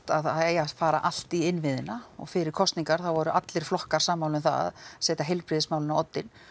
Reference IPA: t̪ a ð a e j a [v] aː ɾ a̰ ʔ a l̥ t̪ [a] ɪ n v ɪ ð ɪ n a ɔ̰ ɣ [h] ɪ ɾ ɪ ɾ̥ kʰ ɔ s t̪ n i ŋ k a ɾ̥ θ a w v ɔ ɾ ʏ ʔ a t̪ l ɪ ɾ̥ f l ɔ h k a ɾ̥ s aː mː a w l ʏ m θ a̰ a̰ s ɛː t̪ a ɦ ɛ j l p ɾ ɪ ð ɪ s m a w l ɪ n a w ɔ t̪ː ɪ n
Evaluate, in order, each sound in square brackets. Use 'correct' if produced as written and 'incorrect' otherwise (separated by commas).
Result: incorrect, incorrect, incorrect